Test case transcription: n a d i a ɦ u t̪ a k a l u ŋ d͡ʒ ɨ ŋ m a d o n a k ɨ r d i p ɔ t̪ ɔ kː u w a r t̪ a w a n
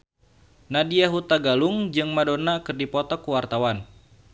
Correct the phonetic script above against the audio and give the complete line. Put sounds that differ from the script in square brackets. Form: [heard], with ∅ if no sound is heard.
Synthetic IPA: n a d i a ɦ u t̪ a [ɡ] a l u ŋ d͡ʒ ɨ ŋ m a d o n a k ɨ r d i p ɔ t̪ ɔ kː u w a r t̪ a w a n